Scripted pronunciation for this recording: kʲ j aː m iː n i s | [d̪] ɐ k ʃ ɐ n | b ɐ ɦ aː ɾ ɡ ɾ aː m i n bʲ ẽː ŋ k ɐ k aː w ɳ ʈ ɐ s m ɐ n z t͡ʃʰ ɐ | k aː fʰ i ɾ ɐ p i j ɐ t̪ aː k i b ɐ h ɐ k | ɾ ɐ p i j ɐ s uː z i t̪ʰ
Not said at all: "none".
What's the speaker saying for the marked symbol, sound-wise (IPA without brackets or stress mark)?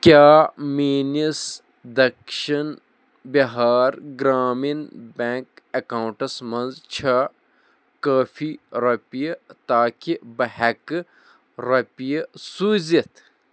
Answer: d̪